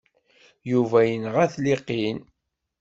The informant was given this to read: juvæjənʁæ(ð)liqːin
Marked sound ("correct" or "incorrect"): incorrect